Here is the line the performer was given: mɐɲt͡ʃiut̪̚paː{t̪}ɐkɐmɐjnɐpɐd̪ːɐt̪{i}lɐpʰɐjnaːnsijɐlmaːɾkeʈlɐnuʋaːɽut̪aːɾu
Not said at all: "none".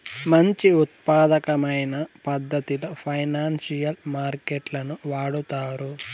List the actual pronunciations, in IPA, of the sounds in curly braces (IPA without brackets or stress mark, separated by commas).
d̪, i